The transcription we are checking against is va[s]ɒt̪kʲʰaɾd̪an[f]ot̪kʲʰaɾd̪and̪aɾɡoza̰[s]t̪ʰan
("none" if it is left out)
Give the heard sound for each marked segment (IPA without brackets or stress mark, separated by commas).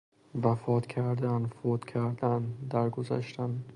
f, f, ʃ